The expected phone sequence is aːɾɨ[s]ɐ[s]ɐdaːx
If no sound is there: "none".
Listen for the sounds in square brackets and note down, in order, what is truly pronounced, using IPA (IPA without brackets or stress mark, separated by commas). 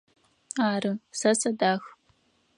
s, s